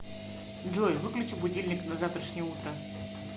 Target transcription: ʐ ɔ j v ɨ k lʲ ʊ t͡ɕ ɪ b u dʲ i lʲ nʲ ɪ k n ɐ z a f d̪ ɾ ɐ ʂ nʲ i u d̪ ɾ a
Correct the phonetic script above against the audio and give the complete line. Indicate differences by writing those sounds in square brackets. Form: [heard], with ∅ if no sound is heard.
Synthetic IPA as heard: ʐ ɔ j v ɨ k lʲ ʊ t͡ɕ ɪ b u dʲ i lʲ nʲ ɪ k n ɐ z a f [t̪] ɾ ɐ ʂ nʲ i u [t̪] ɾ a